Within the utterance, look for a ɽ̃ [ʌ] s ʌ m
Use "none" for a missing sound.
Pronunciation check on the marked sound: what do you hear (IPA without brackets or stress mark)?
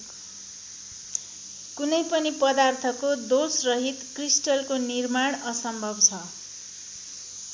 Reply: ʌ